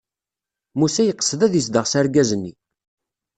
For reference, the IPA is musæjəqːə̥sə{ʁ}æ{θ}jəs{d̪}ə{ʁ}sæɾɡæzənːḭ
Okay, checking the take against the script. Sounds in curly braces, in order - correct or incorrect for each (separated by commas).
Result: incorrect, incorrect, correct, correct